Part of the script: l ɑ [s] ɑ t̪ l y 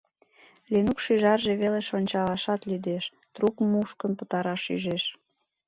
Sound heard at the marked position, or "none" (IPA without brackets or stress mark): ʃ